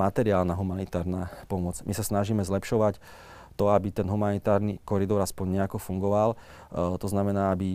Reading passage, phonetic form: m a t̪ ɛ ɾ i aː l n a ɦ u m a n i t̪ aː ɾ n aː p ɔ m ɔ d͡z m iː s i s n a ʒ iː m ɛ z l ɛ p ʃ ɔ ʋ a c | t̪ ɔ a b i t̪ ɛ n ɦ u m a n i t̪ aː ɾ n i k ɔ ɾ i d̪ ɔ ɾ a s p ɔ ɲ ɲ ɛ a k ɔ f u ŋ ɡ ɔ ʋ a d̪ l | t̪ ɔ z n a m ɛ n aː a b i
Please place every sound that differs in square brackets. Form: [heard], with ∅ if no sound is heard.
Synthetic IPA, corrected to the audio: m a t̪ ɛ ɾ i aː l n a ɦ u m a n i t̪ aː ɾ n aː p ɔ m ɔ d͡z m [i] s [a] s n a ʒ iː m ɛ z l ɛ p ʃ ɔ ʋ a c | t̪ ɔ a b i t̪ ɛ n ɦ u m a n i t̪ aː ɾ n i k ɔ ɾ i d̪ ɔ ɾ a s p ɔ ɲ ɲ ɛ a k ɔ f u ŋ ɡ ɔ ʋ a [∅] l | t̪ ɔ z n a m ɛ n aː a b i